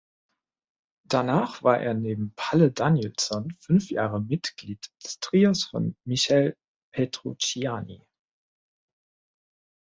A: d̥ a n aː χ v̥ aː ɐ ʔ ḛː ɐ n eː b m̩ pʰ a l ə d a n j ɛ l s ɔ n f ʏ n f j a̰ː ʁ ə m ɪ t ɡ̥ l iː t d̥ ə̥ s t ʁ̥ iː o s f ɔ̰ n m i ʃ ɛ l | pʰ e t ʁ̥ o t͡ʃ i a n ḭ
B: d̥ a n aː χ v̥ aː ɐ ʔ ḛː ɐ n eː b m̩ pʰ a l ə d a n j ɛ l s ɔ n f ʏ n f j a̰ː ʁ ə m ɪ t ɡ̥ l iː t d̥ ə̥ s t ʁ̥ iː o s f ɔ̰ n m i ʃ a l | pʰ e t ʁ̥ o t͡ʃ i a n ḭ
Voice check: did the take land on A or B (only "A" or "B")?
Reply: A